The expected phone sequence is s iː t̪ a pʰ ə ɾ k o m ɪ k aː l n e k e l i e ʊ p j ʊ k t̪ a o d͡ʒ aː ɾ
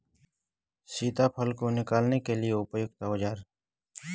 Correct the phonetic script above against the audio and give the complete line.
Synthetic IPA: s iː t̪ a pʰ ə l k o n ɪ k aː l n e k e l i e ʊ p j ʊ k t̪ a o d͡ʒ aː ɾ